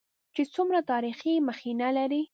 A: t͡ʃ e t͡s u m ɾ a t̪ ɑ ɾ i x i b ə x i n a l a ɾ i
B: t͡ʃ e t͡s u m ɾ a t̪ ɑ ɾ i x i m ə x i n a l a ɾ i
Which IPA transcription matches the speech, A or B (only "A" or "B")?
B